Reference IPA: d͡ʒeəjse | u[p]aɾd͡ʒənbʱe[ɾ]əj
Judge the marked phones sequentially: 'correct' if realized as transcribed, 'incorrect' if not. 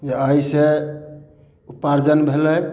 correct, incorrect

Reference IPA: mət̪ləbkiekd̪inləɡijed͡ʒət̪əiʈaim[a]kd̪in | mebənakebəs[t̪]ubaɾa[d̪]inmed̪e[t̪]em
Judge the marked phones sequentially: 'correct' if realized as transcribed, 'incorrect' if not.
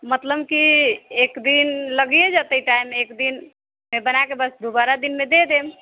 incorrect, incorrect, correct, incorrect

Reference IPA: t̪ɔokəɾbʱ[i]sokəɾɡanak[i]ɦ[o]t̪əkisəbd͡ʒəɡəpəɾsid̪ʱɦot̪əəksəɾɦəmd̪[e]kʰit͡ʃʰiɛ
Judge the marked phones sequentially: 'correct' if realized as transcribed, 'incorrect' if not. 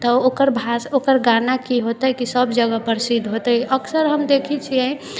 incorrect, correct, correct, correct

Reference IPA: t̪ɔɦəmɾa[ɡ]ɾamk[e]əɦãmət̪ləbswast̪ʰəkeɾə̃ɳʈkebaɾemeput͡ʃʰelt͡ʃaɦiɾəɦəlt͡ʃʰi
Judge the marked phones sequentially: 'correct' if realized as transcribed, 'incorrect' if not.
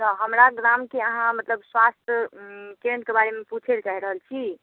correct, correct

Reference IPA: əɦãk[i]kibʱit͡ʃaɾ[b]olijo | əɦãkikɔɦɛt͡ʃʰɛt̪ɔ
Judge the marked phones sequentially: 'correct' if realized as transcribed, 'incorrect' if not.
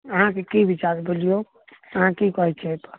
incorrect, correct

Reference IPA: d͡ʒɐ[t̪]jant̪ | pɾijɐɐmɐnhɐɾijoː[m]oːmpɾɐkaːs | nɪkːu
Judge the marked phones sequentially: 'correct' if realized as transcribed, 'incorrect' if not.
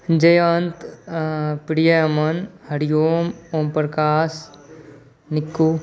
incorrect, correct

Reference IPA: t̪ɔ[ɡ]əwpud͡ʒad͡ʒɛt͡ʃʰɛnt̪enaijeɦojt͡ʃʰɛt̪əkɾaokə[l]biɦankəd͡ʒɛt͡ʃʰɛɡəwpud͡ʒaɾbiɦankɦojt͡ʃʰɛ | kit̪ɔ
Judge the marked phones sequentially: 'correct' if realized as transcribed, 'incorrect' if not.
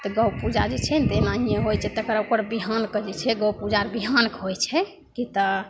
correct, incorrect

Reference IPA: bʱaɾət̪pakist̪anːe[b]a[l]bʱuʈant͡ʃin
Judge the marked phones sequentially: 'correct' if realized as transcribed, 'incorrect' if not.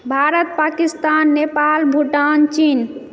incorrect, correct

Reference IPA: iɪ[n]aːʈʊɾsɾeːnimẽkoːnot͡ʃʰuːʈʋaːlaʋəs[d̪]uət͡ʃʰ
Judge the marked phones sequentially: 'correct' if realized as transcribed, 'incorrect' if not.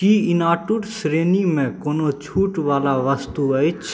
correct, incorrect

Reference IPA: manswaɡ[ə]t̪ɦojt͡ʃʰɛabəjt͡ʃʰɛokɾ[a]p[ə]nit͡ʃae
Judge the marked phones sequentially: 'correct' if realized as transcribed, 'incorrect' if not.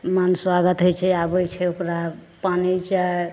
correct, correct, incorrect

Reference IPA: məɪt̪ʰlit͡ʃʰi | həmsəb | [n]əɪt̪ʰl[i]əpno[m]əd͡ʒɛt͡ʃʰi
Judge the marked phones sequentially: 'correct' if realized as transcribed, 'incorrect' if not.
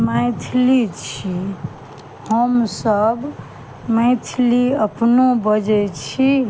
incorrect, correct, incorrect

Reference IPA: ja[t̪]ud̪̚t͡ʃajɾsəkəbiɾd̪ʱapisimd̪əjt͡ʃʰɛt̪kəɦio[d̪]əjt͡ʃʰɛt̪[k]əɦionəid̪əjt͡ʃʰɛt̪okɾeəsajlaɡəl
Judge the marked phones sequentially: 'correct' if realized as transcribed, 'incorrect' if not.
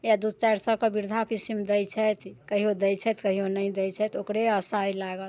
incorrect, correct, correct

